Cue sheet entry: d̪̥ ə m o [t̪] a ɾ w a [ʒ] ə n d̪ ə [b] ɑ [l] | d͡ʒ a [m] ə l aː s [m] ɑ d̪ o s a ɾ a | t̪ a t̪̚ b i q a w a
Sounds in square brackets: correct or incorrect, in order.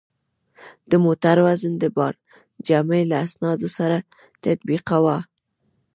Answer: correct, incorrect, correct, incorrect, correct, incorrect

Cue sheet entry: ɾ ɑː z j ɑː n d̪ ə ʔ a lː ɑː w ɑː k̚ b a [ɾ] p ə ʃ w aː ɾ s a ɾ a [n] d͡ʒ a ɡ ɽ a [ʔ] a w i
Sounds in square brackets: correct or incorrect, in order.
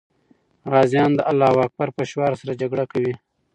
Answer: correct, incorrect, incorrect

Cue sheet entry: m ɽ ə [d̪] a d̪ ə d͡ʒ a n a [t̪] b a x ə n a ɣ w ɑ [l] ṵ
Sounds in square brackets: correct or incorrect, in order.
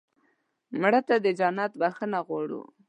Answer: incorrect, correct, incorrect

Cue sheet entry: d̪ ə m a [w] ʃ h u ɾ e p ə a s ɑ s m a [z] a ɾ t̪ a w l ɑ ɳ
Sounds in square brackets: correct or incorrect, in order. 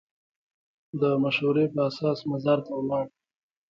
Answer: incorrect, correct

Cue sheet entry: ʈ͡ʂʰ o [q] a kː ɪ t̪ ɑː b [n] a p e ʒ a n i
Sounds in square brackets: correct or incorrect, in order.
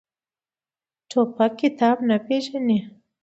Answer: incorrect, correct

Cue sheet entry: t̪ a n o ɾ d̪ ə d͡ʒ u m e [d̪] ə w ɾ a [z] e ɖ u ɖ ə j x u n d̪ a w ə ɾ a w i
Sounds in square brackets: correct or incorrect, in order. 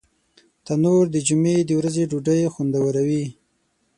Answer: correct, correct

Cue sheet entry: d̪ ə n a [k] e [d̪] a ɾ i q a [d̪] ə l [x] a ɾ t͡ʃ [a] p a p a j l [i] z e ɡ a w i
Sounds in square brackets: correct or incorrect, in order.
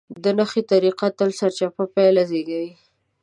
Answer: incorrect, incorrect, incorrect, incorrect, correct, incorrect

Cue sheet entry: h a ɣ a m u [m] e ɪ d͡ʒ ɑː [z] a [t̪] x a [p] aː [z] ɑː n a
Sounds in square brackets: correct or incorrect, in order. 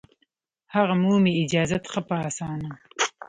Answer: correct, correct, correct, correct, incorrect

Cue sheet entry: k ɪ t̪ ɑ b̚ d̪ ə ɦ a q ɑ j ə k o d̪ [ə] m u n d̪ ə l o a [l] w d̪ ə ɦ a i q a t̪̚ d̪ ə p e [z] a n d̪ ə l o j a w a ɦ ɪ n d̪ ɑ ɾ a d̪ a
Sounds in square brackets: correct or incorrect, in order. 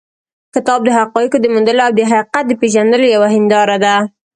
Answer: correct, incorrect, incorrect

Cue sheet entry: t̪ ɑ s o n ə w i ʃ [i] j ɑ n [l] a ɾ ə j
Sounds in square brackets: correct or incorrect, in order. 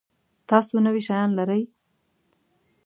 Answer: incorrect, correct

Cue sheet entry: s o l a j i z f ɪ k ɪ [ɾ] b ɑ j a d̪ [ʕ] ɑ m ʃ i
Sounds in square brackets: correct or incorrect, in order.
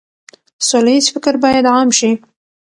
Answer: correct, correct

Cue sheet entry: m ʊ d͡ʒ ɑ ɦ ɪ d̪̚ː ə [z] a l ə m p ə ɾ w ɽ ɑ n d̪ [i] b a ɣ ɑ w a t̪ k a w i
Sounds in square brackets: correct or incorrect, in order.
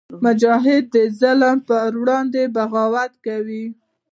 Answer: correct, incorrect

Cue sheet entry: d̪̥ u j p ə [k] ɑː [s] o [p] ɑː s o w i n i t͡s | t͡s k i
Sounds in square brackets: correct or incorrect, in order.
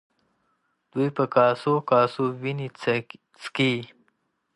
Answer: correct, correct, incorrect

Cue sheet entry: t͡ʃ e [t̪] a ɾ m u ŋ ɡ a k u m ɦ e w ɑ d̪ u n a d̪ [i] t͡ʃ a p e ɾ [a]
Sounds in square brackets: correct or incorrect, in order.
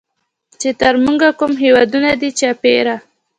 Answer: correct, correct, correct

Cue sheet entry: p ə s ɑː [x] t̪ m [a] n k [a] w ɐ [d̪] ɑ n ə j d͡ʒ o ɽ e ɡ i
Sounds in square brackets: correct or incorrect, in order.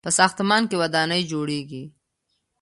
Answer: correct, incorrect, incorrect, correct

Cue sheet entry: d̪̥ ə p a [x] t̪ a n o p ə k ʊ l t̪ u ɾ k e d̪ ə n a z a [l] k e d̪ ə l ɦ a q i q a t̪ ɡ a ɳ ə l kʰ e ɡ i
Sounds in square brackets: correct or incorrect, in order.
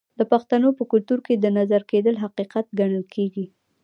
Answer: correct, incorrect

